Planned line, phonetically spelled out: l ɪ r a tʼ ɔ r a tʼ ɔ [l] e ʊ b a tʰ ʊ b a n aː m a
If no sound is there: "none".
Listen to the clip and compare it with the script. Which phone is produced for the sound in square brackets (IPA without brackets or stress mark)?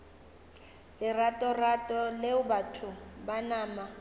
l